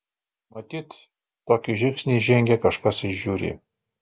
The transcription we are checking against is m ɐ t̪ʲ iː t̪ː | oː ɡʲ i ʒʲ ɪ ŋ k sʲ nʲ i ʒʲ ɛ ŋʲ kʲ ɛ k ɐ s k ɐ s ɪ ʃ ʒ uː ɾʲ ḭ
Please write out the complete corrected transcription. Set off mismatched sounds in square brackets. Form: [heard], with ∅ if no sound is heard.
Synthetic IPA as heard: m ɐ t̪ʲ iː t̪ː | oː [kʲ] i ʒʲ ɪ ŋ k sʲ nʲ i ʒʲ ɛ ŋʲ [ɡʲ] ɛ k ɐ [ʃ] k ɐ s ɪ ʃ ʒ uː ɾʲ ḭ